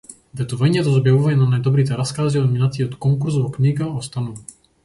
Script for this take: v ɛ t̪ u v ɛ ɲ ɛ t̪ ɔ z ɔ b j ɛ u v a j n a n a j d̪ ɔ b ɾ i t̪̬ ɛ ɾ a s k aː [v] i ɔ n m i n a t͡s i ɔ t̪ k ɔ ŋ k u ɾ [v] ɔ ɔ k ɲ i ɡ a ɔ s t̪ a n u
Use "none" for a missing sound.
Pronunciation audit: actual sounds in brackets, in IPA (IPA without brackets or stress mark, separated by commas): z, z